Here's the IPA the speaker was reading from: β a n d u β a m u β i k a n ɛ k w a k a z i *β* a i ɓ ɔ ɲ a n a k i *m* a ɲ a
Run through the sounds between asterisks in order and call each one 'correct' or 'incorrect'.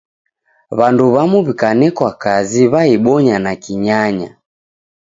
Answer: correct, incorrect: ɲ

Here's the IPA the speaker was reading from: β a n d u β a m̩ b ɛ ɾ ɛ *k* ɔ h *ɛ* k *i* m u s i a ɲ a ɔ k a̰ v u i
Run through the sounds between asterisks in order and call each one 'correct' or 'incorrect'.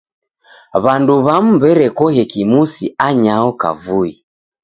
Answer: correct, correct, correct

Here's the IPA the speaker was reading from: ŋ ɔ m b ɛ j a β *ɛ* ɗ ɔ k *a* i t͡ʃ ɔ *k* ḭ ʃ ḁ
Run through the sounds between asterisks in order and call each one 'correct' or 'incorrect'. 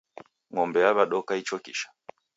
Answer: incorrect: a, correct, correct

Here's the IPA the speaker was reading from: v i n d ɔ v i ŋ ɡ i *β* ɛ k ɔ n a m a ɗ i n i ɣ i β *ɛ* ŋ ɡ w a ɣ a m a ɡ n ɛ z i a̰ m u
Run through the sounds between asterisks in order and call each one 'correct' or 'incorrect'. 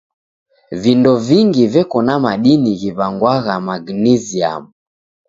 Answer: incorrect: v, incorrect: a

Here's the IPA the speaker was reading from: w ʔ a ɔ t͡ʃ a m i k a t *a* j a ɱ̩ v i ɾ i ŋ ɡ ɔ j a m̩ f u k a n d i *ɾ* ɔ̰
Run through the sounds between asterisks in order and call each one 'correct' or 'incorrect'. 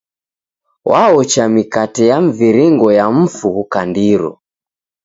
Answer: incorrect: ɛ, correct

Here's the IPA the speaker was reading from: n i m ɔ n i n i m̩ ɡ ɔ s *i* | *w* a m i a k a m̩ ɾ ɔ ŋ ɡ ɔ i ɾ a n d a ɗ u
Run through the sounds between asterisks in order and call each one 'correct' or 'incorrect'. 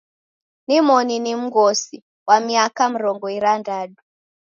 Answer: correct, correct

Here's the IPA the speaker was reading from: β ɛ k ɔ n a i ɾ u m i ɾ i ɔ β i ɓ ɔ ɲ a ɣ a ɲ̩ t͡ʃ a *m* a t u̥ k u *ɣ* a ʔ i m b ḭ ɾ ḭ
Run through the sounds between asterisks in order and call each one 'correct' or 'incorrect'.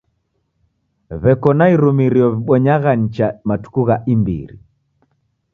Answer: correct, correct

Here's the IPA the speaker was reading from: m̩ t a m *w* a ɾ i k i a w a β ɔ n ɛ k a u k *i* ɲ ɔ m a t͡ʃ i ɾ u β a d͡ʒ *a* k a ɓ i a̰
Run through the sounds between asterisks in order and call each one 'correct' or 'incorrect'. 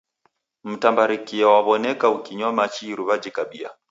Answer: incorrect: b, correct, incorrect: i

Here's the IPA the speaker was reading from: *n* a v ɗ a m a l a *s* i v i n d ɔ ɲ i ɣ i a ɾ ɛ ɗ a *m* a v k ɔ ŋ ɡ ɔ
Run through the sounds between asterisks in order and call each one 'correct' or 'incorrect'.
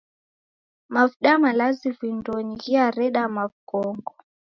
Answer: incorrect: m, incorrect: z, correct

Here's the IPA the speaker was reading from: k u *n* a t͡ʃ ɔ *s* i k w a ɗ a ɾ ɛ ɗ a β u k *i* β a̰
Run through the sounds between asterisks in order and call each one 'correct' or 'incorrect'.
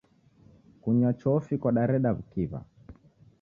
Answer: incorrect: ɲ, incorrect: f, correct

